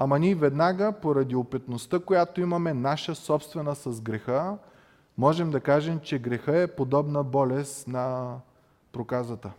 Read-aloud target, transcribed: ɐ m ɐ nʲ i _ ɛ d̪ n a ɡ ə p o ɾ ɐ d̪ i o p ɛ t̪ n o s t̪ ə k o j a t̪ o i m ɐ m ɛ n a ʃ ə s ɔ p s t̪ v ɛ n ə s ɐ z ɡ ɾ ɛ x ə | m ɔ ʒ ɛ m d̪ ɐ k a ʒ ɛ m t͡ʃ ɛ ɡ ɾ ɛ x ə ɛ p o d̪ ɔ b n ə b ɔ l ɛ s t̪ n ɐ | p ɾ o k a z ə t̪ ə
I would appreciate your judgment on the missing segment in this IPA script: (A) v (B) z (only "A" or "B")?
A